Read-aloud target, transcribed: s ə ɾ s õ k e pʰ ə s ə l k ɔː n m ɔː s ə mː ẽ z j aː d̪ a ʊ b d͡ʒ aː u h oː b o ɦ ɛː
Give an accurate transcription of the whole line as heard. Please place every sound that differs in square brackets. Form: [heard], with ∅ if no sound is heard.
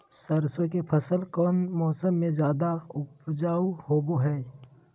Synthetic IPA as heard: s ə ɾ s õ k e pʰ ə s ə l k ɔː n m ɔː s ə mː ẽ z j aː d̪ a ʊ [p] d͡ʒ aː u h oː b o ɦ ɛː